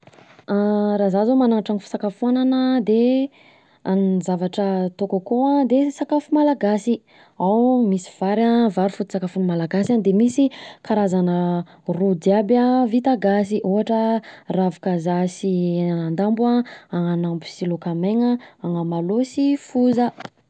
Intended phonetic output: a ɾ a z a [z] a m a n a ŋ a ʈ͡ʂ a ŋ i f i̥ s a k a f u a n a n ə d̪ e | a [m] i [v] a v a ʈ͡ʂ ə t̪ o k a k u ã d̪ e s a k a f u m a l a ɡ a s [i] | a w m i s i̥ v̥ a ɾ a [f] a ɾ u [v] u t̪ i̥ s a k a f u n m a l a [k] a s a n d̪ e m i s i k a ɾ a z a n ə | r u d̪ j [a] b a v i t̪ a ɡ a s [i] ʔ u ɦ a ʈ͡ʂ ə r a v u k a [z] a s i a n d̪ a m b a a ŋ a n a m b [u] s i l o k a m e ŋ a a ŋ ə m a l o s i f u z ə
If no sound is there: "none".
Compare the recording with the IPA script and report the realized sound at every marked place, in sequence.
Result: z, n, z, i, v, f, ɡ, a, i, z, u

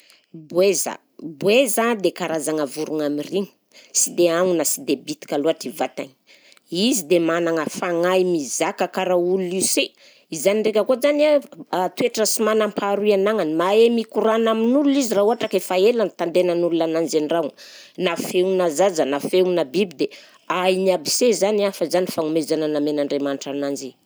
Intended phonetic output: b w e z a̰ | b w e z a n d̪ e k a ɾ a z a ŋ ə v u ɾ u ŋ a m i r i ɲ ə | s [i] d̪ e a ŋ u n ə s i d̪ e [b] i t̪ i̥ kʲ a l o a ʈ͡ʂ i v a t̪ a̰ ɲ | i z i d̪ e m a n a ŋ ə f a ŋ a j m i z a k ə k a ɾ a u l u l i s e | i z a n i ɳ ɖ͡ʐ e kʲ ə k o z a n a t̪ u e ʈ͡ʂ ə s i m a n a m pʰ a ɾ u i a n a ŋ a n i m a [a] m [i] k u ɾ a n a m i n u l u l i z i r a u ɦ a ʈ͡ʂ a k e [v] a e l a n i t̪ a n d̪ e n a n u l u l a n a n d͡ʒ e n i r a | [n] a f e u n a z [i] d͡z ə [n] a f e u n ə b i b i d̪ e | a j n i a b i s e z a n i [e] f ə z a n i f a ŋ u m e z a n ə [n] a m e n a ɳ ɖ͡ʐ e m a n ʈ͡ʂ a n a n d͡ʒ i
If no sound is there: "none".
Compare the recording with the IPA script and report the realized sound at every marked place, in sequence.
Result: i, b, e, i, f, n, a, n, a, n

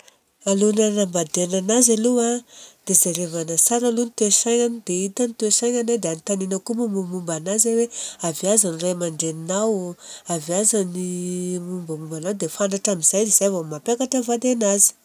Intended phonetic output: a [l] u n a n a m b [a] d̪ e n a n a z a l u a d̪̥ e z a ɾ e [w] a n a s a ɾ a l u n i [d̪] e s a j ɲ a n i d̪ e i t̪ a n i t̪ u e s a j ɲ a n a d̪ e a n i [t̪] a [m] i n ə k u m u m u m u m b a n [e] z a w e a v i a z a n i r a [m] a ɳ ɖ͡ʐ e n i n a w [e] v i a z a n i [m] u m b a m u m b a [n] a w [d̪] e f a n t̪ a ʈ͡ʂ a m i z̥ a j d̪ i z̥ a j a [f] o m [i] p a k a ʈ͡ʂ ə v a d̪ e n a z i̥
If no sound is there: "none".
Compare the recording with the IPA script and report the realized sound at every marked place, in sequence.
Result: l, a, v, t̪, t̪, n, a, m, a, m, n, d̪, v, a

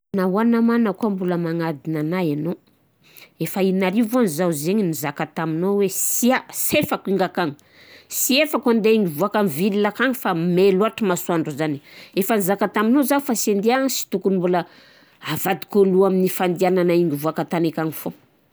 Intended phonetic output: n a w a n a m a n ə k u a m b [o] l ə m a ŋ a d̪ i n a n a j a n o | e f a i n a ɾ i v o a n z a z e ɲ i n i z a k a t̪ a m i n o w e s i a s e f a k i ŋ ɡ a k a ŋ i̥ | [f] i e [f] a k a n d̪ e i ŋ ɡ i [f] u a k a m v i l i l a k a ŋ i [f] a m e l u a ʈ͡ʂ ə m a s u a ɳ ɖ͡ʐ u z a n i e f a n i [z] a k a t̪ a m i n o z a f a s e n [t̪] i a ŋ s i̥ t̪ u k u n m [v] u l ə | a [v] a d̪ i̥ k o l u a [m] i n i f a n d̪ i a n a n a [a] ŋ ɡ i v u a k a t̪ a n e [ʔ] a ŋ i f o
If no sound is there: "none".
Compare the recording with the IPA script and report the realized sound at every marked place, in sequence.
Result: u, s, f, v, f, z, d̪, b, v, m, i, k

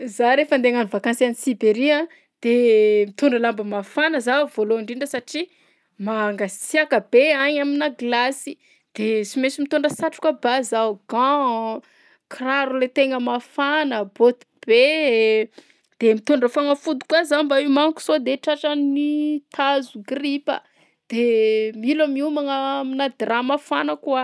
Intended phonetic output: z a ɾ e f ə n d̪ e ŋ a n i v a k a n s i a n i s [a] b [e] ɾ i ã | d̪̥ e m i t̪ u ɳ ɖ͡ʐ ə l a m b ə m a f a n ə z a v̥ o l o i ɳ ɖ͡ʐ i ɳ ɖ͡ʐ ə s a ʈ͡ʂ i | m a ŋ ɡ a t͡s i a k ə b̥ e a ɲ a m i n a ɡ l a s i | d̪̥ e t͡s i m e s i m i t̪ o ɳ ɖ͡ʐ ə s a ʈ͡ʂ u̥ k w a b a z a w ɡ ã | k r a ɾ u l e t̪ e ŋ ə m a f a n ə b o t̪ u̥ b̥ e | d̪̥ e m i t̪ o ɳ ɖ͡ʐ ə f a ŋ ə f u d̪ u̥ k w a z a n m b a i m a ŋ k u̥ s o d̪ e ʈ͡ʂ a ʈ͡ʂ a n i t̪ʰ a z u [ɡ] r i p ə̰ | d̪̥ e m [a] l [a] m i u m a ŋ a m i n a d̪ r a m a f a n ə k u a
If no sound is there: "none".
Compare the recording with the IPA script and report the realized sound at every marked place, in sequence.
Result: i, e, ɡ, i, a

